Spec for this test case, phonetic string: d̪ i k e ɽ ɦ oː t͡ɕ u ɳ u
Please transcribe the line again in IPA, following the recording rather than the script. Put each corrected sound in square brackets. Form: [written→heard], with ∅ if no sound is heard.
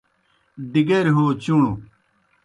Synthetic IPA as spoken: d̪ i [k→ɡ] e [ɽ→ɾ] ɦ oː t͡ɕ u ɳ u